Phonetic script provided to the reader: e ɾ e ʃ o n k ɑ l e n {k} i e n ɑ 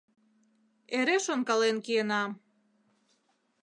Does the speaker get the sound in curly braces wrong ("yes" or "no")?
no